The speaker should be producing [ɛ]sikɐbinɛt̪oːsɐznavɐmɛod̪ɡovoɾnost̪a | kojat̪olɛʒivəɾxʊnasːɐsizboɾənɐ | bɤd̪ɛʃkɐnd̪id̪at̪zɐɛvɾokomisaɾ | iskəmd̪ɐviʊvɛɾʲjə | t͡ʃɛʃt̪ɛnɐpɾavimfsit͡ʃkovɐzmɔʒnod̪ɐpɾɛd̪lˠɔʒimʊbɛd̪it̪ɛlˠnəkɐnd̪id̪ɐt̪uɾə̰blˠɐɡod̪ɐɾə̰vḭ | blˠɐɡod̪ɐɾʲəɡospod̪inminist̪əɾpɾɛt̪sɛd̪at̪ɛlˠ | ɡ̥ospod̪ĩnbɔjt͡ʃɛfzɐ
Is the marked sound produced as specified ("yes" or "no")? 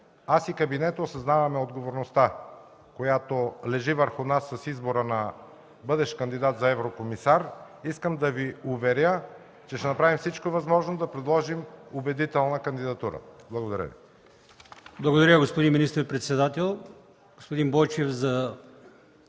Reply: no